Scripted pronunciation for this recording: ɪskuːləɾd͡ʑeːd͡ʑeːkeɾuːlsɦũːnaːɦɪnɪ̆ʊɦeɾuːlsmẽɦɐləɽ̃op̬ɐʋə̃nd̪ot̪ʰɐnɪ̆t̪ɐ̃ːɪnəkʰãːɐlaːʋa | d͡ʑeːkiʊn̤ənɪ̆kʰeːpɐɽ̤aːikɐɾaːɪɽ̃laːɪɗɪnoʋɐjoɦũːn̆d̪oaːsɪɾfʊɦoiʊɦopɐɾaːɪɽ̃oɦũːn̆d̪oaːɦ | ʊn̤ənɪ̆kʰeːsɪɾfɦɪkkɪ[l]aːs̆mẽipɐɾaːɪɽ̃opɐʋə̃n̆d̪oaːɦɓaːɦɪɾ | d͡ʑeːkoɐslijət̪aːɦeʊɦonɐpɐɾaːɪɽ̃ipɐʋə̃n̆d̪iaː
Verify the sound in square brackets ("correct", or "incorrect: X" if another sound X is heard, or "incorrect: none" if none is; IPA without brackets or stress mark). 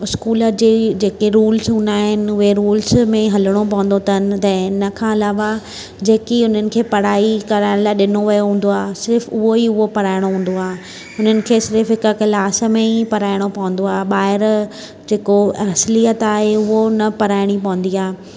correct